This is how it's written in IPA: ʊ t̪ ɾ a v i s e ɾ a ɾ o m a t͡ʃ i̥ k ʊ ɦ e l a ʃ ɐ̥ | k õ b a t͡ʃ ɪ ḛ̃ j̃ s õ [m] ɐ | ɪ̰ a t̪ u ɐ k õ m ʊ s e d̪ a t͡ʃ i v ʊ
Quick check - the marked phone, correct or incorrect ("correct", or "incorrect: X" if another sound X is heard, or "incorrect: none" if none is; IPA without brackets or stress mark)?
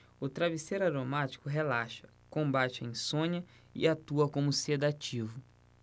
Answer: incorrect: ɲ